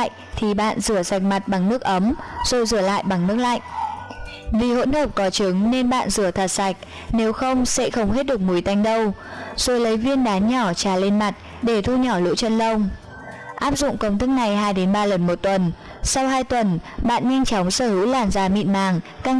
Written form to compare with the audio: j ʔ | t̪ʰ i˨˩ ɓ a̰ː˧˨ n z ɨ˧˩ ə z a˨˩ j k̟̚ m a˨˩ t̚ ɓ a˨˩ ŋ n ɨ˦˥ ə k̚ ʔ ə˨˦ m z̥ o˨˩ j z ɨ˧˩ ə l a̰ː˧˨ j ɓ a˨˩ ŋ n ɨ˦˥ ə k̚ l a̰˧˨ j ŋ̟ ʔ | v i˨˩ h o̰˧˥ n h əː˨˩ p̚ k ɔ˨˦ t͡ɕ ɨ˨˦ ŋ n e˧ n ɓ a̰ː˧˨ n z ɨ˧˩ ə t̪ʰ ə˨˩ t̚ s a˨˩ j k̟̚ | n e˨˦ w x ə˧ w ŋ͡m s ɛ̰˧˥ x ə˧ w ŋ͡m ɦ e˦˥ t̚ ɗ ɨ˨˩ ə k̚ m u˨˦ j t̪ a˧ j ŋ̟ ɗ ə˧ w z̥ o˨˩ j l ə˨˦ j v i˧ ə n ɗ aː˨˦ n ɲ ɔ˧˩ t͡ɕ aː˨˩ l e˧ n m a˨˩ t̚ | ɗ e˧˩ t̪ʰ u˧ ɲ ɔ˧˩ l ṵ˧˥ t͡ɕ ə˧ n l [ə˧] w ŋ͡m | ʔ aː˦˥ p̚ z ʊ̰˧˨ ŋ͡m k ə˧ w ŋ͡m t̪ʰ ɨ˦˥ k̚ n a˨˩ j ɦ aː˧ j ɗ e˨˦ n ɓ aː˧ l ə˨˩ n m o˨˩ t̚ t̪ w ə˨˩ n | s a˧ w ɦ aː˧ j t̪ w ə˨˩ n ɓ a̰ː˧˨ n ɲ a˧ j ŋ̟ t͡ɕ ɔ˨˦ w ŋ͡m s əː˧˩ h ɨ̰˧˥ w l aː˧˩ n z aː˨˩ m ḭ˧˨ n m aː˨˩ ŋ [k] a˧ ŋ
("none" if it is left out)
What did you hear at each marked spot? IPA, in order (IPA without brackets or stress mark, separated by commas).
ə˧, k